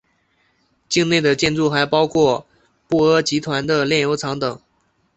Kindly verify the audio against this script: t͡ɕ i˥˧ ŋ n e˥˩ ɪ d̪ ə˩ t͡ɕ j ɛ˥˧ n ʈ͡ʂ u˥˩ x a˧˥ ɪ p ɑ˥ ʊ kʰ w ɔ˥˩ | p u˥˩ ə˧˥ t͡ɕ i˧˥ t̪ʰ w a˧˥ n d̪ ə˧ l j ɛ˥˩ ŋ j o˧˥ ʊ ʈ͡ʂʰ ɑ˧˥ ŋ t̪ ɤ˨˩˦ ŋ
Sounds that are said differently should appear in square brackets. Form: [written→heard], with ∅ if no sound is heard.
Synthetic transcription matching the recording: t͡ɕ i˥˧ ŋ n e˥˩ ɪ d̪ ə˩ t͡ɕ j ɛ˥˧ n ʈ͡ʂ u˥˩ x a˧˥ ɪ p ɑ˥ ʊ kʰ w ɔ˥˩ | p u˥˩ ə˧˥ t͡ɕ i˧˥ t̪ʰ w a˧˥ n d̪ ə˧ l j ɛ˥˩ [ŋ→n] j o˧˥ ʊ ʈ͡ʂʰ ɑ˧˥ ŋ t̪ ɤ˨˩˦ ŋ